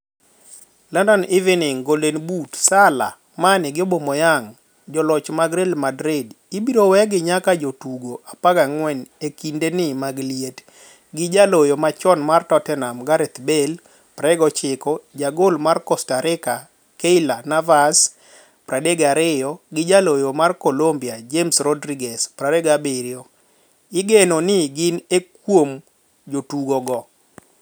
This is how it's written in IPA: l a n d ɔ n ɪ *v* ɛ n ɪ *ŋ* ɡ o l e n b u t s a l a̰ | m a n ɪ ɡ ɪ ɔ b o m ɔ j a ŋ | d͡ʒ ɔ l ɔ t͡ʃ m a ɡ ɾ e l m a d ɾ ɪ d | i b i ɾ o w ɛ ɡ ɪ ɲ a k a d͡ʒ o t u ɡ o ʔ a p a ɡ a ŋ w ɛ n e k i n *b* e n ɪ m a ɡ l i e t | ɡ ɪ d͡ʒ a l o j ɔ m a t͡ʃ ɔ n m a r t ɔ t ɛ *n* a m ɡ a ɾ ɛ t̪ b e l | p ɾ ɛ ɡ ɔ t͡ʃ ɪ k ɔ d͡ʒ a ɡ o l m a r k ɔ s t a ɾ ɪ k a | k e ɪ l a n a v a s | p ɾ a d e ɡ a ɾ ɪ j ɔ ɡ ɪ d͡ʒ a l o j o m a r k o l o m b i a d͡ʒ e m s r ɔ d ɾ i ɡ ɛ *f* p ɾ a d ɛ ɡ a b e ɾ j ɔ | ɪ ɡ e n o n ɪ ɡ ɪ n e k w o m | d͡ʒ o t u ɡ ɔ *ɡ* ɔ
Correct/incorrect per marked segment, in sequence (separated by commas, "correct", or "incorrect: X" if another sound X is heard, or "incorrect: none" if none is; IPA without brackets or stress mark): correct, correct, incorrect: d, correct, incorrect: s, correct